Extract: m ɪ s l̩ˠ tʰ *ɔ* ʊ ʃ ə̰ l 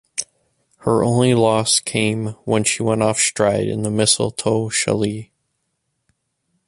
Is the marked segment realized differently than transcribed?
yes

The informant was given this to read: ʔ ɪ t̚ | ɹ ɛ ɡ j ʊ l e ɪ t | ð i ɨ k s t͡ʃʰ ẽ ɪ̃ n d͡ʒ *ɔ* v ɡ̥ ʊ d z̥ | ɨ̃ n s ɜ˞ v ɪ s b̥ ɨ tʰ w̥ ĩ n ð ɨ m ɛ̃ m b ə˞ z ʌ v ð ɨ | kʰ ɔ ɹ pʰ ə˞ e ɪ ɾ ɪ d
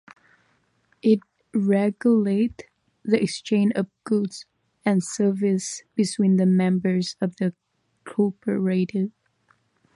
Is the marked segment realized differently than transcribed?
yes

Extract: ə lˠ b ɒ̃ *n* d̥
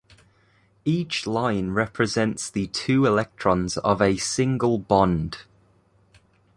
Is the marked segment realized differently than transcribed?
no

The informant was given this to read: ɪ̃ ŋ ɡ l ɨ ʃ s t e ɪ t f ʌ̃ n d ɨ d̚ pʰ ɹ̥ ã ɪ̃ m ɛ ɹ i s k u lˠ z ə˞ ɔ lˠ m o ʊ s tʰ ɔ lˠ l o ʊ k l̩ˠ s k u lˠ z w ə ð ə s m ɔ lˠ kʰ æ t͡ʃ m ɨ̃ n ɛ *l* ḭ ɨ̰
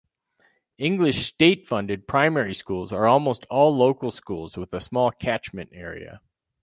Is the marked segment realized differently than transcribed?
yes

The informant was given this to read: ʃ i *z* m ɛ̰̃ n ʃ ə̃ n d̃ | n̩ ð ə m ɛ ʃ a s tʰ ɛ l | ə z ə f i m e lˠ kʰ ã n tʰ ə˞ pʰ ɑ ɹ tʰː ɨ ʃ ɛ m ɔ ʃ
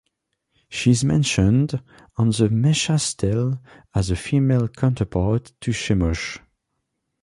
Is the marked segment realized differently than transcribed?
no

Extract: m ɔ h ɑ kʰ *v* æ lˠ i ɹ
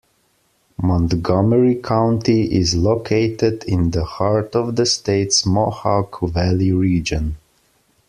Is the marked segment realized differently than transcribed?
no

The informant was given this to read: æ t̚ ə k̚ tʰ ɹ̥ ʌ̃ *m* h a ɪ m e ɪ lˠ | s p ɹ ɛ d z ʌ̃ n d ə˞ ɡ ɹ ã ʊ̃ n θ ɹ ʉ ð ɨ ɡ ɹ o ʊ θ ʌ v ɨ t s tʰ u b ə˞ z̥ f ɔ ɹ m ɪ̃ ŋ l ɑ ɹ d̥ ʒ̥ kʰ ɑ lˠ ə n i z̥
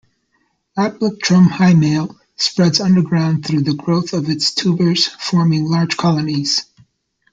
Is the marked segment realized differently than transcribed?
no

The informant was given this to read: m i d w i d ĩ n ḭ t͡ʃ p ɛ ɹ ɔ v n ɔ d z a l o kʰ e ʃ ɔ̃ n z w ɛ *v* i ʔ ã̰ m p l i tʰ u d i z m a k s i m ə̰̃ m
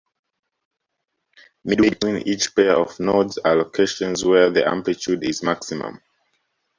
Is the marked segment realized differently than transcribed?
yes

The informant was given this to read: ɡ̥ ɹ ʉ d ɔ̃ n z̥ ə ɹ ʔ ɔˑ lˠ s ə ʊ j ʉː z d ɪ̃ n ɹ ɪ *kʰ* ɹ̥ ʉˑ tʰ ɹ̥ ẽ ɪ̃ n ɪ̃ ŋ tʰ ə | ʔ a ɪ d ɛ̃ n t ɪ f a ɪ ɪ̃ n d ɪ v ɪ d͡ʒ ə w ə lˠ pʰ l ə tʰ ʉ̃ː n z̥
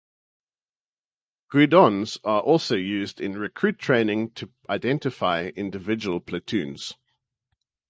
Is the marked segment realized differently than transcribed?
no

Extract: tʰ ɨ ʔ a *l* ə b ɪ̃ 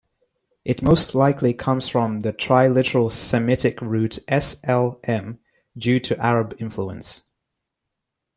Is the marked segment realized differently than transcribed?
yes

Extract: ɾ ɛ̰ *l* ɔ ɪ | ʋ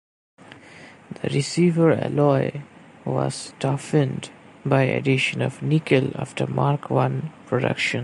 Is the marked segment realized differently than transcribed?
no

